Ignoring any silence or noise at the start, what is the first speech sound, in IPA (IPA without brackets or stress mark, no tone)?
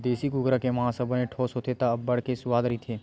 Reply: d̪